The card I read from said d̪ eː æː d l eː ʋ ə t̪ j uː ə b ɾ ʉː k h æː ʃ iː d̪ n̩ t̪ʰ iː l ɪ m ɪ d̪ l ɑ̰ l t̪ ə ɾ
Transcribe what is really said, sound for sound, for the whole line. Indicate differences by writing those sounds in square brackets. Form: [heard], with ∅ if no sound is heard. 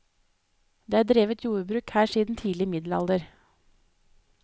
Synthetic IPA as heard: d̪ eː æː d [ɾ] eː ʋ ə t̪ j uː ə b ɾ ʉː k h æː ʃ iː d̪ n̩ t̪ʰ iː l ɪ m ɪ d̪ l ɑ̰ l [d̪] ə ɾ

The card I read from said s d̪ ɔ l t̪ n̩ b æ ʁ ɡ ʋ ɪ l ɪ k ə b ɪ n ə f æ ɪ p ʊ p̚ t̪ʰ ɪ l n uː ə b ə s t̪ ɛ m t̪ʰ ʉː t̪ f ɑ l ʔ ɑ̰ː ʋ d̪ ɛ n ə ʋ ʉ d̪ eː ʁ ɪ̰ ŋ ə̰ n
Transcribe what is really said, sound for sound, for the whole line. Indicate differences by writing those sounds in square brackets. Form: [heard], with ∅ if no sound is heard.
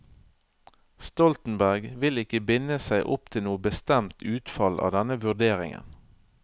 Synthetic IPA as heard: s [t̪] ɔ l t̪ n̩ b æ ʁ ɡ ʋ ɪ l ɪ k ə b ɪ n ə [s] æ ɪ [ʔ] ʊ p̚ t̪ʰ ɪ l n uː ə b ə s t̪ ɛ m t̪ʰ ʉː t̪ f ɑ l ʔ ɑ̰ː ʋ d̪ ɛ n ə ʋ ʉ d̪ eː ʁ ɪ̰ ŋ ə̰ n

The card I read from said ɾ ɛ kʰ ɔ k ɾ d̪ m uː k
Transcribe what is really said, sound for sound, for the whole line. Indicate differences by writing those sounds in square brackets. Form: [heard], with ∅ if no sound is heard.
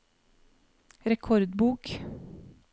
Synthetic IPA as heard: ɾ ɛ kʰ ɔ [∅] ɾ d̪ [b] uː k

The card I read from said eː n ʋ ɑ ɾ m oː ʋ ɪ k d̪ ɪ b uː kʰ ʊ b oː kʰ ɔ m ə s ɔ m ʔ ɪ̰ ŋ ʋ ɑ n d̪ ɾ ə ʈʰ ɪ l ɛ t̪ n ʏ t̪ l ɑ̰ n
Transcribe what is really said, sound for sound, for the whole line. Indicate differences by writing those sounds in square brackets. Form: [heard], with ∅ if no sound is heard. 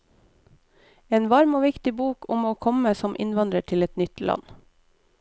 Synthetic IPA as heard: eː n ʋ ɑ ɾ m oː ʋ ɪ k [t̪] ɪ b uː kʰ ʊ [m] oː kʰ ɔ m ə s ɔ m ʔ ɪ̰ [n] ʋ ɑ n d̪ ɾ ə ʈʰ ɪ l ɛ t̪ n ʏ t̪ l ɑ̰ n

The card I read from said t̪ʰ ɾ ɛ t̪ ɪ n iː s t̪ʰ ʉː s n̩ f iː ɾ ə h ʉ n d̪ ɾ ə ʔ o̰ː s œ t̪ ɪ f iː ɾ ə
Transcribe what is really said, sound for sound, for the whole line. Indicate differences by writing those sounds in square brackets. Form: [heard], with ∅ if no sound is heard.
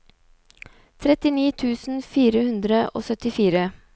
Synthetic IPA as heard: t̪ʰ ɾ ɛ t̪ ɪ n iː [∅] t̪ʰ ʉː s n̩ f iː ɾ ə h ʉ n d̪ ɾ ə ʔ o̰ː s œ t̪ ɪ f iː ɾ ə

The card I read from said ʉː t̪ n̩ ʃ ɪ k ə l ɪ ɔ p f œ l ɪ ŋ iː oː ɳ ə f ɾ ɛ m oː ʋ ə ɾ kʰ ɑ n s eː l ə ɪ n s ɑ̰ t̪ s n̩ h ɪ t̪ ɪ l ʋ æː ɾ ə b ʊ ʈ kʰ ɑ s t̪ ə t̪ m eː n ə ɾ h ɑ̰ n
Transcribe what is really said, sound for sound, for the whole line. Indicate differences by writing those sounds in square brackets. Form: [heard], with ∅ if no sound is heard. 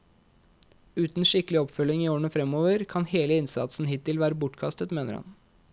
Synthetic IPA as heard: ʉː t̪ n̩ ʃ ɪ k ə l ɪ ɔ p f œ l ɪ ŋ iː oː ɳ ə f ɾ ɛ m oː ʋ ə ɾ kʰ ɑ n [h] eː l ə ɪ n s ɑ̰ t̪ s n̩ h ɪ t̪ ɪ l ʋ æː ɾ ə b ʊ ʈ kʰ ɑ s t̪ ə t̪ m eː n ə ɾ h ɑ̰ n

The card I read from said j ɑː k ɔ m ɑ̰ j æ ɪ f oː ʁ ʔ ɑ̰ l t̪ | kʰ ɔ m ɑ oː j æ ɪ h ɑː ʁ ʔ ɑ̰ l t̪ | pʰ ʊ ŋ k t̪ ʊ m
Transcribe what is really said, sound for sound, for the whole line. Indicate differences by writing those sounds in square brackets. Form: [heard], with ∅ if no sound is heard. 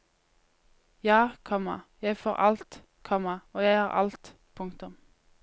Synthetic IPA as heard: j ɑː [kʰ] ɔ m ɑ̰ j æ ɪ f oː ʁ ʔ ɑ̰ l t̪ | kʰ ɔ m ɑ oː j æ ɪ h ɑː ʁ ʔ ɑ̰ l t̪ | pʰ ʊ ŋ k t̪ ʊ m

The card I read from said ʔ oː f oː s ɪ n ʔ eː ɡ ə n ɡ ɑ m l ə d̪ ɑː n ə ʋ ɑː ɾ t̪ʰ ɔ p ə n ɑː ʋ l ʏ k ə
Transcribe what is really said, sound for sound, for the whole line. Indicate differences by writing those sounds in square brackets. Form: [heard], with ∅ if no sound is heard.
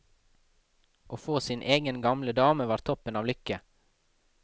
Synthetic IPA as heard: ʔ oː f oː s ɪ n ʔ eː ɡ ə n ɡ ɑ m l ə d̪ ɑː [m] ə ʋ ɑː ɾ t̪ʰ ɔ p ə n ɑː ʋ l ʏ k ə

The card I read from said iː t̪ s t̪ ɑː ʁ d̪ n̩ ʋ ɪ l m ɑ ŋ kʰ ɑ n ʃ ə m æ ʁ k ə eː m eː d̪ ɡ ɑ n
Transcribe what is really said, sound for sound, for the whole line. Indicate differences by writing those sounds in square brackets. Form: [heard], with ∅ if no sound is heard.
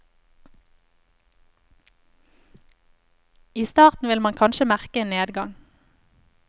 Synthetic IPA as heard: iː [∅] s t̪ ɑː ʁ [t̪] n̩ ʋ ɪ l m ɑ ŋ kʰ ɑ n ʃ ə m æ ʁ k ə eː [n] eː d̪ ɡ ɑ [ŋ]

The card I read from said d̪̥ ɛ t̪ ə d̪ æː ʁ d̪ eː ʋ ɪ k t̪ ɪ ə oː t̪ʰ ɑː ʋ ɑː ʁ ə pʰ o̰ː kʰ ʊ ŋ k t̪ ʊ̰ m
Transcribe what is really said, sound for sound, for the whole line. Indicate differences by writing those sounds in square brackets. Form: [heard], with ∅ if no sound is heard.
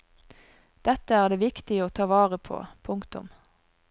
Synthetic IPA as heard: d̪̥ ɛ t̪ ə [∅] æː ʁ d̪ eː ʋ ɪ k t̪ ɪ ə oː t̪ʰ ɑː ʋ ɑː ʁ ə pʰ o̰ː [pʰ] ʊ ŋ k t̪ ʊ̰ m

